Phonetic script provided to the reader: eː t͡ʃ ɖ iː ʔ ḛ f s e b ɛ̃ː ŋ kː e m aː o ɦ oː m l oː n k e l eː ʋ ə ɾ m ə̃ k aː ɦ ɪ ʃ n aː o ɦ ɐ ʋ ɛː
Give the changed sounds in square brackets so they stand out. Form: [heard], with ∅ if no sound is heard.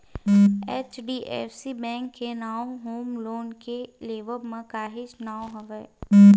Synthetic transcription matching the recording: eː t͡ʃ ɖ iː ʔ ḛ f s [i] b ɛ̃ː ŋ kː e [n] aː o ɦ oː m l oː n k e l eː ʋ ə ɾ m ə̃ k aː ɦ ɪ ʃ n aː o ɦ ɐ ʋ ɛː

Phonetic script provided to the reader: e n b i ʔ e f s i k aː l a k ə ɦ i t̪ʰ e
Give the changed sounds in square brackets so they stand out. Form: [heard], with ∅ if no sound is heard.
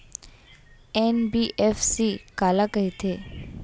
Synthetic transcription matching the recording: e n b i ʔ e f s i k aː l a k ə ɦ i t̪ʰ e

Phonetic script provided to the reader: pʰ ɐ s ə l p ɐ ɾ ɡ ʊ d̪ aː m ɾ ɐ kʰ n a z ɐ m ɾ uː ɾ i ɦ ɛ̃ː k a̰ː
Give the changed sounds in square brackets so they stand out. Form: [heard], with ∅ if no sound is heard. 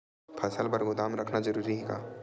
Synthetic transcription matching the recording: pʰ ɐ s ə l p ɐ ɾ ɡ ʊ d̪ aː m ɾ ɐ kʰ n a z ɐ [∅] ɾ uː ɾ i ɦ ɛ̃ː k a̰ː

